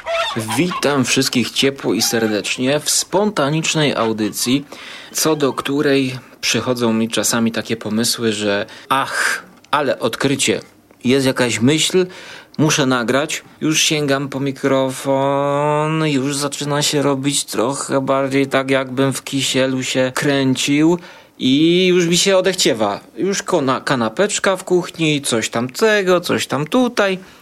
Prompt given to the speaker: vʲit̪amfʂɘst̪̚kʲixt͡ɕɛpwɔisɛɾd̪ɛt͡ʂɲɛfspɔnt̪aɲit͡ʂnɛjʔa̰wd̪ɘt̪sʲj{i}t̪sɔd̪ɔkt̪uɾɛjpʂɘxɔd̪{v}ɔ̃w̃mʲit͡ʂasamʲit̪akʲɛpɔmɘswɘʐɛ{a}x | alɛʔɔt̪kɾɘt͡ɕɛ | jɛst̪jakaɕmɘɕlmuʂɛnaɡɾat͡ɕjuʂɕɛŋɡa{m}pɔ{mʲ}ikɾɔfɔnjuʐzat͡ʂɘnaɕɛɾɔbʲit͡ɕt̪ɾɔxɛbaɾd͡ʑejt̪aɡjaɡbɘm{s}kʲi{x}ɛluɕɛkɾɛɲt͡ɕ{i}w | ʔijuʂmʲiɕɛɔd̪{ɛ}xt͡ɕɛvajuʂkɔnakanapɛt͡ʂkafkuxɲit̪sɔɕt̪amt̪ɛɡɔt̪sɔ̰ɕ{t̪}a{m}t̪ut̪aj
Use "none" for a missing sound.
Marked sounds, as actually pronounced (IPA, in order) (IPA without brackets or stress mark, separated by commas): i, z, a, m, mʲ, f, ɕ, i, ɛ, t̪, m